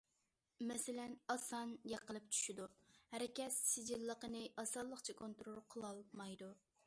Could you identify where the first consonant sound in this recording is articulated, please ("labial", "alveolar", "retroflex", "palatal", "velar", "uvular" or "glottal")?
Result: labial